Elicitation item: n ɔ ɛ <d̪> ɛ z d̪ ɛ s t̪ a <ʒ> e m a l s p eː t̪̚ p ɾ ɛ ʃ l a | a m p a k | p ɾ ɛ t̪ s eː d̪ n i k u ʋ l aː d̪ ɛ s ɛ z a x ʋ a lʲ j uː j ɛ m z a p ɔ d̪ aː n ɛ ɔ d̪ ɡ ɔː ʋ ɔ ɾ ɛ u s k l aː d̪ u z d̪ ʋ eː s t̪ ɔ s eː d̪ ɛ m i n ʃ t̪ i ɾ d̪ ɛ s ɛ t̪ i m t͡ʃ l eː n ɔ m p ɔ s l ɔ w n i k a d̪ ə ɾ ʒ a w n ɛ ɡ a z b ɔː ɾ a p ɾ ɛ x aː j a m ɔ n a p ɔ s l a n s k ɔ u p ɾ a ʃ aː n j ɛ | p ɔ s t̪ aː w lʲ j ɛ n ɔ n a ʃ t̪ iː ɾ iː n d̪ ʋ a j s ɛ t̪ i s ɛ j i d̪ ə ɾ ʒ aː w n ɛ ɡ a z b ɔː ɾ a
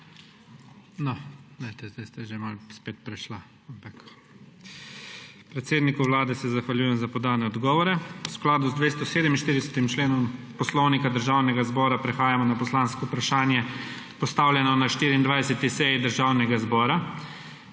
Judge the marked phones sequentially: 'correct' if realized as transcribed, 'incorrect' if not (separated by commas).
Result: incorrect, correct